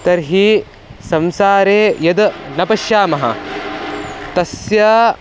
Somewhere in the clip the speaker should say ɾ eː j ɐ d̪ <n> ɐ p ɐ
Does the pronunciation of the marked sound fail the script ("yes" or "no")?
no